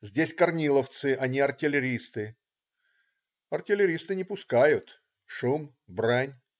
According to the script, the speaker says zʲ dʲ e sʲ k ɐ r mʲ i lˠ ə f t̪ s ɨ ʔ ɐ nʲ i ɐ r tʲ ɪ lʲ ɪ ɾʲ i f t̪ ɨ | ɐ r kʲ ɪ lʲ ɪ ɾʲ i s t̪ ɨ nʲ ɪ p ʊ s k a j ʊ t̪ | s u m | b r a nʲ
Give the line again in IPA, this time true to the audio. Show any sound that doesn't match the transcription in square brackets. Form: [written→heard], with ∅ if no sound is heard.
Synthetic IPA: zʲ dʲ e sʲ k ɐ r [mʲ→nʲ] i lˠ ə f t̪ s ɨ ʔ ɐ nʲ i ɐ r tʲ ɪ lʲ ɪ ɾʲ i [f→s] t̪ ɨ | ɐ r [kʲ→tʲ] ɪ lʲ ɪ ɾʲ i s t̪ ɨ nʲ ɪ p ʊ s k a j ʊ t̪ | [s→ʂ] u m | b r a nʲ